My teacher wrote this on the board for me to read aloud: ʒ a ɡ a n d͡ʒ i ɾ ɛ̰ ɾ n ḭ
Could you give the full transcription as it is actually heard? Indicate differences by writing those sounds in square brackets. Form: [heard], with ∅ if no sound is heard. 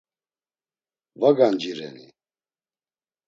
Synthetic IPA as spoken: [v] a ɡ a n d͡ʒ i ɾ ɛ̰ [∅] n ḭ